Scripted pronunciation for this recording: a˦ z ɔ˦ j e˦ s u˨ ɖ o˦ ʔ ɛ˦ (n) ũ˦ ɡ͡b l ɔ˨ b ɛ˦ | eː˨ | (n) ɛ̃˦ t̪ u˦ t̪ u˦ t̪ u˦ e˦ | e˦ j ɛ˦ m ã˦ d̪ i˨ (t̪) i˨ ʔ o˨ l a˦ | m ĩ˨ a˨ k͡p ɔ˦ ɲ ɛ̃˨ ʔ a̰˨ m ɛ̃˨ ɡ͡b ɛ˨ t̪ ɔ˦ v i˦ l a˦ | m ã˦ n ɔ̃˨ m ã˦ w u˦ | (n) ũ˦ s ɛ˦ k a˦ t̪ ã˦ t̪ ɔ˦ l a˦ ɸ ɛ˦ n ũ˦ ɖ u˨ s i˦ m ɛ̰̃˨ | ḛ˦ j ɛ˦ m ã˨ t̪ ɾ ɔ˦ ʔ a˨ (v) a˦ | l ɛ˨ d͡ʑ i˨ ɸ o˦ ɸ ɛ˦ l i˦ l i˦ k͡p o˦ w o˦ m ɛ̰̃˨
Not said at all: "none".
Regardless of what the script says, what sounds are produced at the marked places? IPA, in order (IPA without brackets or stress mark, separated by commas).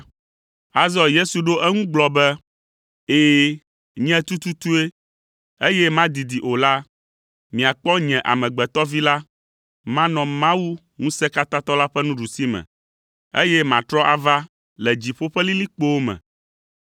ŋ, ɲ, d̪, ŋ, v